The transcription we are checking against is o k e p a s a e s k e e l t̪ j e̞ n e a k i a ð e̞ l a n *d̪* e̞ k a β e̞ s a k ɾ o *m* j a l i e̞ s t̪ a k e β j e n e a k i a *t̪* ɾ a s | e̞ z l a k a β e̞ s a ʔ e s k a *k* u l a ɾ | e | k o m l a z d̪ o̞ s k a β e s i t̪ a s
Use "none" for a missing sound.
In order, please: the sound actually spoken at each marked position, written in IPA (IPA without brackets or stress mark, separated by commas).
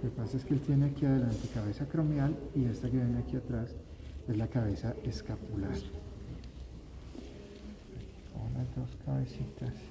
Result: t̪, m, t̪, p